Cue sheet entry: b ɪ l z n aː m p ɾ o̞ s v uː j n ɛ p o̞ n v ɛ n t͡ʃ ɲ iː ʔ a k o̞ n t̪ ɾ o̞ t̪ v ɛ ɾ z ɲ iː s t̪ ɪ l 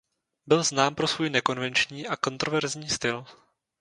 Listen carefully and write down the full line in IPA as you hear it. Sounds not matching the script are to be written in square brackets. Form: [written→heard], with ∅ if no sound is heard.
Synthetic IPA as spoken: b ɪ l z n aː m p ɾ o̞ s v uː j n ɛ [p→k] o̞ n v ɛ n t͡ʃ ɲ iː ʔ a k o̞ n t̪ ɾ o̞ [t̪→∅] v ɛ ɾ z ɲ iː s t̪ ɪ l